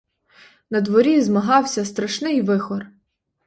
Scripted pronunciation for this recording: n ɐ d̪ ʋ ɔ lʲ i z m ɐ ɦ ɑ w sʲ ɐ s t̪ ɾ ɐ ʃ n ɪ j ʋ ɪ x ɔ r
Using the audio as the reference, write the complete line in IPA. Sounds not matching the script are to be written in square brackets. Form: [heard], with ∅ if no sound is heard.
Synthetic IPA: n ɐ d̪ ʋ ɔ [ɾʲ] i z m ɐ ɦ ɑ w sʲ ɐ s t̪ ɾ ɐ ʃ n ɪ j ʋ ɪ x ɔ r